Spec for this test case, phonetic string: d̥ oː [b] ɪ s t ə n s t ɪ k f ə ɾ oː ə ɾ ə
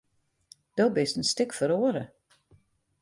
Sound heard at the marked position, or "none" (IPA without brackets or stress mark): b